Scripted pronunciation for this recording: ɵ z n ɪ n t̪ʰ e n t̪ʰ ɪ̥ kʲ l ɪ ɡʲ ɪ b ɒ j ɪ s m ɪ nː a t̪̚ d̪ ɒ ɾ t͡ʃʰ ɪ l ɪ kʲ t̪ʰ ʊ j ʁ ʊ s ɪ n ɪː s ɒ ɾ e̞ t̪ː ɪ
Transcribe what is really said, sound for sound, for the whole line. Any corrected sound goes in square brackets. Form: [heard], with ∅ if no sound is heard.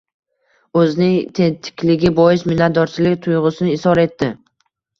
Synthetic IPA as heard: ɵ z n ɪ [ŋ] t̪ʰ e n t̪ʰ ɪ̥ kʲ l ɪ ɡʲ ɪ b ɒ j ɪ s m ɪ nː a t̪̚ d̪ ɒ ɾ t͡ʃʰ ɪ l ɪ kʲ t̪ʰ ʊ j ʁ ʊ s ɪ n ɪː s ɒ ɾ e̞ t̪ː ɪ